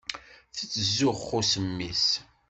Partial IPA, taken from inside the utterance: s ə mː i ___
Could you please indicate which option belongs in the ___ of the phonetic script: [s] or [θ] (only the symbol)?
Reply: s